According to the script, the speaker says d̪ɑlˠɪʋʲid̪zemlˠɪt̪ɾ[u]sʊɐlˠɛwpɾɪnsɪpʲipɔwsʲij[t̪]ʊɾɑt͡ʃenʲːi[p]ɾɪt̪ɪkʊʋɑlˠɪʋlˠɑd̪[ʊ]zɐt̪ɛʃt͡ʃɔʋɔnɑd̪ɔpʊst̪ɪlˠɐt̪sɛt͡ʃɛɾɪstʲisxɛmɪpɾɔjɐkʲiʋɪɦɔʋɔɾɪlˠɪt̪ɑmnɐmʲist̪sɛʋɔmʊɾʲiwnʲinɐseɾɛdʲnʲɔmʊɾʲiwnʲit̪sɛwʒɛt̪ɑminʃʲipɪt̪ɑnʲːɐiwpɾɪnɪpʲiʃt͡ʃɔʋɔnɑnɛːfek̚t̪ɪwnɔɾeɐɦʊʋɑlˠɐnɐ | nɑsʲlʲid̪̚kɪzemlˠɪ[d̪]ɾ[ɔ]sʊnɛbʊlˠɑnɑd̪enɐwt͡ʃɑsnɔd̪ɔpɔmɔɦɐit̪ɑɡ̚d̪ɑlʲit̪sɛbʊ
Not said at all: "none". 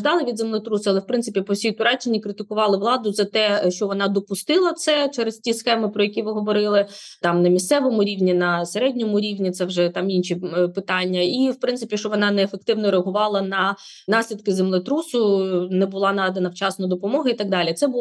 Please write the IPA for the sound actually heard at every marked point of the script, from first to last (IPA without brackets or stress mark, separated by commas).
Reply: u, t̪, k, ʊ, t̪, u